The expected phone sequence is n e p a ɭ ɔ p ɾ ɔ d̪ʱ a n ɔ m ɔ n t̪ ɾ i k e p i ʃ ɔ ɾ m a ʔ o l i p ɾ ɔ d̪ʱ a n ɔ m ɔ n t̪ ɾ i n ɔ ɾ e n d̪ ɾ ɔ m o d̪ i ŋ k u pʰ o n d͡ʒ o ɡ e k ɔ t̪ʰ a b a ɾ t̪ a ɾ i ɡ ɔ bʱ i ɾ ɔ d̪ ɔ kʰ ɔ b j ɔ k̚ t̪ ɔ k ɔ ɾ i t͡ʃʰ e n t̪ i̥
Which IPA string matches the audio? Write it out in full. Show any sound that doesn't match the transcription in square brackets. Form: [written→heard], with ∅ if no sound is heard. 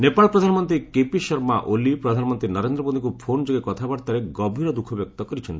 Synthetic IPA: n e p a ɭ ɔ p ɾ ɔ d̪ʱ a n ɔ m ɔ n t̪ ɾ i k e p i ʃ ɔ ɾ m a ʔ o l i p ɾ ɔ d̪ʱ a n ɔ m ɔ n t̪ ɾ i n ɔ ɾ e n d̪ ɾ ɔ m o d̪ i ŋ k u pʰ o n d͡ʒ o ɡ e k ɔ t̪ʰ a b a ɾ t̪ a ɾ [i→e] ɡ ɔ bʱ i ɾ ɔ d̪ [ɔ→u] kʰ ɔ b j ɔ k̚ t̪ ɔ k ɔ ɾ i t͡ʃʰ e n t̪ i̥